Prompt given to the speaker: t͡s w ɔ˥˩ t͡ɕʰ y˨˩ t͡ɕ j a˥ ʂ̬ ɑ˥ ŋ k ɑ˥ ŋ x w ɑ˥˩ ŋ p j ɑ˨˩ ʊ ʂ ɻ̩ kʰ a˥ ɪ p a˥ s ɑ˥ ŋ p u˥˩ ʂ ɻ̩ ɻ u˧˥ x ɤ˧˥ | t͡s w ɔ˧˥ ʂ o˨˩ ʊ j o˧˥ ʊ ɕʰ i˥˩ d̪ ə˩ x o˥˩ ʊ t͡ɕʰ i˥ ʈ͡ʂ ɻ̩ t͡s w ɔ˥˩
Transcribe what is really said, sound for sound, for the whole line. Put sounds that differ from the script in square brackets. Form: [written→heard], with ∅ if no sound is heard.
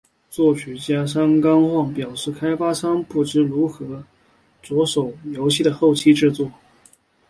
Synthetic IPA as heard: t͡s w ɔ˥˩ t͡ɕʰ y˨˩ t͡ɕ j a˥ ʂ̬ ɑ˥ ŋ k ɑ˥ ŋ x w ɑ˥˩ ŋ p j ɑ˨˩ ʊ ʂ ɻ̩ kʰ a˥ ɪ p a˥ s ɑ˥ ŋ p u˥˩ [ʂ→ʈ͡ʂ] ɻ̩ ɻ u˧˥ x ɤ˧˥ | t͡s w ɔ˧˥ ʂ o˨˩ ʊ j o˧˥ ʊ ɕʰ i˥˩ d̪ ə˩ x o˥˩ ʊ t͡ɕʰ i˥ ʈ͡ʂ ɻ̩ t͡s w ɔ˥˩